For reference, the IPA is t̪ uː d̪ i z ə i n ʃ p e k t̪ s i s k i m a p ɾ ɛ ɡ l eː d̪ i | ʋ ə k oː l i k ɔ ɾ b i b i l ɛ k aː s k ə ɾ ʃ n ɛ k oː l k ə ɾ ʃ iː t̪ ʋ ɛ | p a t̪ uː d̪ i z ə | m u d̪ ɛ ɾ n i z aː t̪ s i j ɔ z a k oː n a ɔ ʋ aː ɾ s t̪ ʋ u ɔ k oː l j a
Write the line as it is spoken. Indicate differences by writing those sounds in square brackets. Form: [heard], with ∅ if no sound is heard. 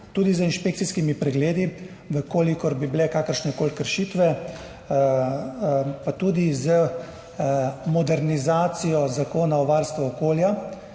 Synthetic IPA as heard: t̪ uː d̪ i z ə i n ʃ p e k t̪ s i s k i m [i] p ɾ ɛ ɡ l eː d̪ i | ʋ ə k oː l i k ɔ ɾ b i b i l ɛ k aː [∅] k ə ɾ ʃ n ɛ k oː l k ə ɾ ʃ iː t̪ ʋ ɛ | p a t̪ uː d̪ i z ə | m [ɔ] d̪ ɛ ɾ n i z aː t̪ s i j ɔ z a k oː n a ɔ ʋ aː ɾ s t̪ ʋ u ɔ k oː l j a